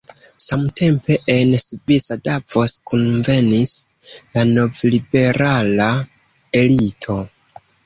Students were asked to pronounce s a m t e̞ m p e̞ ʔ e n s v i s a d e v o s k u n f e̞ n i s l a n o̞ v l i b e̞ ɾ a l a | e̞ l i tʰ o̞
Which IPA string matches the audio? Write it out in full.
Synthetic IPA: s a m t e̞ m p e̞ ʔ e n s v i s a d a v o s k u n v e̞ n i s l a n o̞ v l i b e̞ ɾ a l a | e̞ l i tʰ o̞